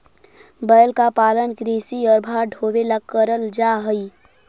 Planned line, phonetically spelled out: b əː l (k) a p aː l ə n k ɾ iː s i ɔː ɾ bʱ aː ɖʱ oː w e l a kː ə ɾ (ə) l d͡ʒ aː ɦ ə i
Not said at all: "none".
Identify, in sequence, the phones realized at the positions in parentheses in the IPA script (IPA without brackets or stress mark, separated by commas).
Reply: k, ə